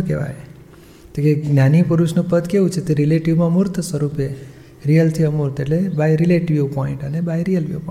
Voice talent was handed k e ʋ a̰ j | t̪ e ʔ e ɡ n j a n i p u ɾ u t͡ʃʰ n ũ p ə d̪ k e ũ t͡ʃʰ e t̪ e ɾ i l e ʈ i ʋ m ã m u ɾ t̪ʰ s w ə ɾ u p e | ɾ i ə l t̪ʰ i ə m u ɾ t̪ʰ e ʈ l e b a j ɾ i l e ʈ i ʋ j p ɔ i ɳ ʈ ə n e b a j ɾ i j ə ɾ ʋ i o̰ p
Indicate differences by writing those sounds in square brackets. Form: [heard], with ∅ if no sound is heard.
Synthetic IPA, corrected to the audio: k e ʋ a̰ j | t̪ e [k] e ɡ n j a n i p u ɾ u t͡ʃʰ n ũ p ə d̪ k e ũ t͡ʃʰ e t̪ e ɾ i l e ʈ i ʋ m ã m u ɾ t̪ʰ s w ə ɾ u p e | ɾ i ə l t̪ʰ i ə m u ɾ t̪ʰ e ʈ l e b a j ɾ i l e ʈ i ʋ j p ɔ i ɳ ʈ ə n e b a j ɾ i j ə [l] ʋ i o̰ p